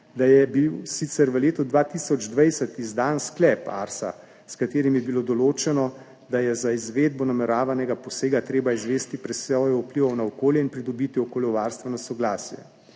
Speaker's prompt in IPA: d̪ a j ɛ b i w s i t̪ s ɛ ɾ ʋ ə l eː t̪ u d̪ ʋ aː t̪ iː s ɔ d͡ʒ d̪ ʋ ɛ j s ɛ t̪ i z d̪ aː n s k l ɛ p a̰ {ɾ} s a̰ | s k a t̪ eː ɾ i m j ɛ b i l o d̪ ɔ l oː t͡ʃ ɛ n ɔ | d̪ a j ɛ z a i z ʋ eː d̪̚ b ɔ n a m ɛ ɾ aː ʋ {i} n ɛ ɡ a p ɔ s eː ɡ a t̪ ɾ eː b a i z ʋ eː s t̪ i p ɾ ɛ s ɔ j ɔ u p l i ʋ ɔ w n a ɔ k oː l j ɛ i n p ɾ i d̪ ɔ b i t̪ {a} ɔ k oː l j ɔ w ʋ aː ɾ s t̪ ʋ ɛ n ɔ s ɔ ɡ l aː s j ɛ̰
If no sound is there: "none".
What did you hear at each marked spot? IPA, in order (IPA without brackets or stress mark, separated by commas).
ɾ, a, i